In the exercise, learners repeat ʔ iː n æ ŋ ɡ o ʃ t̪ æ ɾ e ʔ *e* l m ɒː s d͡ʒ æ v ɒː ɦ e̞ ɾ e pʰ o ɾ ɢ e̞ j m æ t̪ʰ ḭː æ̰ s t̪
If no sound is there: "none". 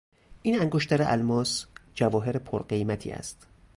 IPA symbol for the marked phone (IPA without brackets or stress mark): æ